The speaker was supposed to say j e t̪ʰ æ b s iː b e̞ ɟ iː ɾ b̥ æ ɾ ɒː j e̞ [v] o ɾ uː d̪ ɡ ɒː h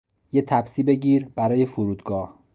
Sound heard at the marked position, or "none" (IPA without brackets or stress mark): f